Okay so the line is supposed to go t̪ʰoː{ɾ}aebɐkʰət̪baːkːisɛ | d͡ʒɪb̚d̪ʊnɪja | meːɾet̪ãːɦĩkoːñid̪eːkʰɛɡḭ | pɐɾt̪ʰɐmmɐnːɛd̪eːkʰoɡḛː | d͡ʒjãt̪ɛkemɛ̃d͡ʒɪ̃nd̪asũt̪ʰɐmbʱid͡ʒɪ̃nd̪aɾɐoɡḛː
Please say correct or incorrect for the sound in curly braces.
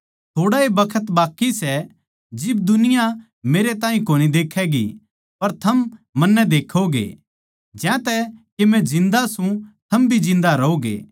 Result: incorrect